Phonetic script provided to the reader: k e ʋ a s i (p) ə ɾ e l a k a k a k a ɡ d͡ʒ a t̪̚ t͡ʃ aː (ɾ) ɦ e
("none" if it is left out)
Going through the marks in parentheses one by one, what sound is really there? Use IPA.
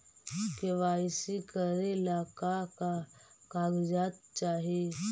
k, none

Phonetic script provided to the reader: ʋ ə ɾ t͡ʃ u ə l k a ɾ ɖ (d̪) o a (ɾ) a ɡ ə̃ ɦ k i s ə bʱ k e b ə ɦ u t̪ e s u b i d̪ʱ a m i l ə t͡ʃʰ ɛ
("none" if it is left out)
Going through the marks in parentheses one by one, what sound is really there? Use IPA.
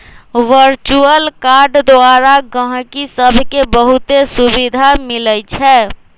d̪, ɾ

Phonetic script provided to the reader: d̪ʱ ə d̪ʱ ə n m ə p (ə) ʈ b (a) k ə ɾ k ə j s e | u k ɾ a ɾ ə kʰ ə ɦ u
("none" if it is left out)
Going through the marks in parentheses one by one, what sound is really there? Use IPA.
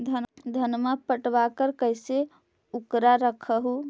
ə, a

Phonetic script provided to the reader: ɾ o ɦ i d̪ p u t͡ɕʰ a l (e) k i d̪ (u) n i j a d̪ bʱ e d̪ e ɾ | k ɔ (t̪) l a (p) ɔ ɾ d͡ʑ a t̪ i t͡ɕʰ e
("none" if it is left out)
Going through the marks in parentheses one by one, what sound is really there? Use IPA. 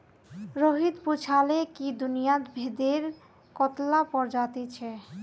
e, u, t̪, p

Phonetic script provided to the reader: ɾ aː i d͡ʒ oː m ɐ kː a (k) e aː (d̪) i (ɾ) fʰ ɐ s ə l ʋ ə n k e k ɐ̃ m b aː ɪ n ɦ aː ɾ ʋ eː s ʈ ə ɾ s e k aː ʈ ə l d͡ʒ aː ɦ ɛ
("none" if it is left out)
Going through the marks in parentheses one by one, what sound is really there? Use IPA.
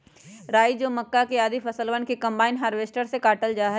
k, d̪, none

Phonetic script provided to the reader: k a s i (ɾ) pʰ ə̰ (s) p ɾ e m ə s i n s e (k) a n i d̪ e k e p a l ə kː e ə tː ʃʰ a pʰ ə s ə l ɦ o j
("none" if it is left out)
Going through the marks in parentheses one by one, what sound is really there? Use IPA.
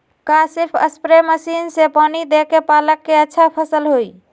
ɾ, s, p

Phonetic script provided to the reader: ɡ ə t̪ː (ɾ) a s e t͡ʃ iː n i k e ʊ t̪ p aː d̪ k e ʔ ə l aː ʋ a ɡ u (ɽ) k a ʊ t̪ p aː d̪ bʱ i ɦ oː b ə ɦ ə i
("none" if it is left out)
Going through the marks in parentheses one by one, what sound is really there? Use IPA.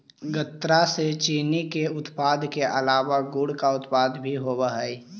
ɾ, ɽ

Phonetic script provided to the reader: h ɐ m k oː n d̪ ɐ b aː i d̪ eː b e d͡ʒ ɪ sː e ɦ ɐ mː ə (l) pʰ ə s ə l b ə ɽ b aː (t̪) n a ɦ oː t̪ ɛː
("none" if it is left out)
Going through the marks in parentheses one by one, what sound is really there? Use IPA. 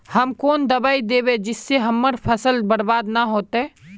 ɾ, d̪

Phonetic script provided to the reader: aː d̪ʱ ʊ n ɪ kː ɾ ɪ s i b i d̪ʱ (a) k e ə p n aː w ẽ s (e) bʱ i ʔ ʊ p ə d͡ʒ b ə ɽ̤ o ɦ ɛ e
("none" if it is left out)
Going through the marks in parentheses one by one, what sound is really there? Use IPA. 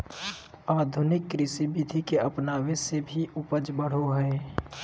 i, e

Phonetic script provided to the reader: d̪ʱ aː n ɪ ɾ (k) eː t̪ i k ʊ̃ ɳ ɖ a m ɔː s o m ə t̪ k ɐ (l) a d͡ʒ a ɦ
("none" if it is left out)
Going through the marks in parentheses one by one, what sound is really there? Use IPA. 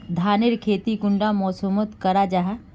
kʰ, ɾ

